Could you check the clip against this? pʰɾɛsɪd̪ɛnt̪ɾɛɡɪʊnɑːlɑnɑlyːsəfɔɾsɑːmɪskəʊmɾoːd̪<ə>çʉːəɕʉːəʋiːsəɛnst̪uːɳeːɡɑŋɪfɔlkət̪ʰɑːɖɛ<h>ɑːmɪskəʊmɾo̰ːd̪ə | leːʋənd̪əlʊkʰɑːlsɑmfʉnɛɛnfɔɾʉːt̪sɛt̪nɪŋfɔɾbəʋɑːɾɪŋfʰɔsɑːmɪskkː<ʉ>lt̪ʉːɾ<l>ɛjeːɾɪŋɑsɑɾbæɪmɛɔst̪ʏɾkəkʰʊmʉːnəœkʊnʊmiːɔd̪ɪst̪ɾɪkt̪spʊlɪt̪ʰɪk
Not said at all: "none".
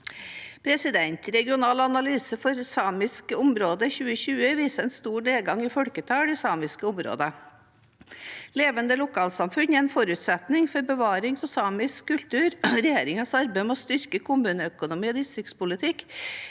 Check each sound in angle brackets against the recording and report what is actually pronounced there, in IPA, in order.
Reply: ə, s, ʉ, ɾ

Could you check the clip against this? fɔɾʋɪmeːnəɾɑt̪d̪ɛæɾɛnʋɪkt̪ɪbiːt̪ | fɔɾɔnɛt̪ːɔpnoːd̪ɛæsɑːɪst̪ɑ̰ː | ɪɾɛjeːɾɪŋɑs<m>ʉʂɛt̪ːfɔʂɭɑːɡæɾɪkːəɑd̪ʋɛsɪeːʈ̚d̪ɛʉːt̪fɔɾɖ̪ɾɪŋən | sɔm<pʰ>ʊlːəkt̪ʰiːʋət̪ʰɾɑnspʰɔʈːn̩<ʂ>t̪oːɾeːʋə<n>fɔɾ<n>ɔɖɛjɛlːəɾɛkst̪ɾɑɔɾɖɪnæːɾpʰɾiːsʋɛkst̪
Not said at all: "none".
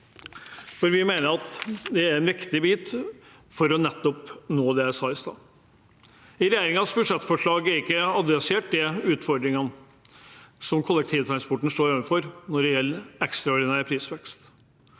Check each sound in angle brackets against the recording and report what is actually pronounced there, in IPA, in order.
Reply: b, kʰ, ʂ, n, n

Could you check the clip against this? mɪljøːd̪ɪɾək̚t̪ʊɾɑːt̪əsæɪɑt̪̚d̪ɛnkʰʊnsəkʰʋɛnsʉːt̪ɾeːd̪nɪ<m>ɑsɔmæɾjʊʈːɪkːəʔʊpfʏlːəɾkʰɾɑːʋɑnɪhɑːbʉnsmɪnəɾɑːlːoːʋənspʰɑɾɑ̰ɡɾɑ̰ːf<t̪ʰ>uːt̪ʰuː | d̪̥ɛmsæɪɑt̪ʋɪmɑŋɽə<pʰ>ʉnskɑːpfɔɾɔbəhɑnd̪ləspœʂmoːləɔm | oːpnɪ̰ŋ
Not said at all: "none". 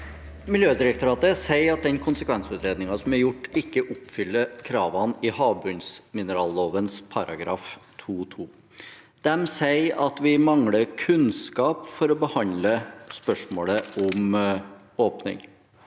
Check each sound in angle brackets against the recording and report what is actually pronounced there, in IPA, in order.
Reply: ŋ, t̪ʰ, kʰ

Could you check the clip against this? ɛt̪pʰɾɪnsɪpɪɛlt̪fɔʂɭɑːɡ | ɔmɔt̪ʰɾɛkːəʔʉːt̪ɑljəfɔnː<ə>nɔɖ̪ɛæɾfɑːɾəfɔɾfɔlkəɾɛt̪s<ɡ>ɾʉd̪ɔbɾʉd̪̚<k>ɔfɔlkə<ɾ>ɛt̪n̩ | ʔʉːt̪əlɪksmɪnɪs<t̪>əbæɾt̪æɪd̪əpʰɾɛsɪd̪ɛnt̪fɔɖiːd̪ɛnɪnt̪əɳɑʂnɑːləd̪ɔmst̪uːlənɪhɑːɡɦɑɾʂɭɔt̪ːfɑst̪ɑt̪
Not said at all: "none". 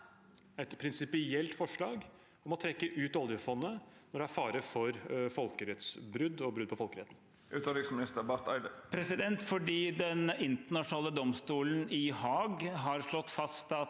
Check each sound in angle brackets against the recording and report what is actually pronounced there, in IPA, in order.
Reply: ə, b, p, ɾ, t̪

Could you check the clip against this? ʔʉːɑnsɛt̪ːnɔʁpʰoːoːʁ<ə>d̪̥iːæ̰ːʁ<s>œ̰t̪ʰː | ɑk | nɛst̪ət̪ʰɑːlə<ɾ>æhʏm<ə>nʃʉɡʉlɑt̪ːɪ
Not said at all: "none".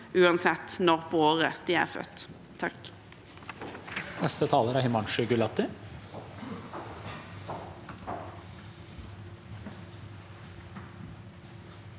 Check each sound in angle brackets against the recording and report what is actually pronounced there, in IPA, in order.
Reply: ə, f, ɾ, ɑ

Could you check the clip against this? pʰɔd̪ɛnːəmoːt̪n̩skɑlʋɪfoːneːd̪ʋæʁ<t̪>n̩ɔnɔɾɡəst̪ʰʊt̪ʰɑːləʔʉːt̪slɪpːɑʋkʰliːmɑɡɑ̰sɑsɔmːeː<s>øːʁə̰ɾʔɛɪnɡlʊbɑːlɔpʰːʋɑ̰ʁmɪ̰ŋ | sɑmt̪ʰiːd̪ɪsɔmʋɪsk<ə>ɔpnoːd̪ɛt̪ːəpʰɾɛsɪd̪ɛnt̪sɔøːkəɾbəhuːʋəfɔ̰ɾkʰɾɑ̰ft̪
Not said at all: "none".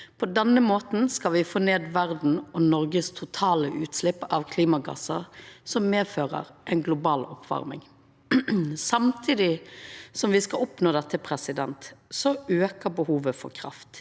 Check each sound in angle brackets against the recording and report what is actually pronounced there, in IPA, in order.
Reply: d̪, f, ɑ

